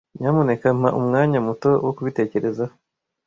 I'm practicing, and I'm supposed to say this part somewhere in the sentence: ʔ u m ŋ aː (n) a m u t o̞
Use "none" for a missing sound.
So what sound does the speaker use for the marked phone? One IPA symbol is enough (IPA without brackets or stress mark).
ɲ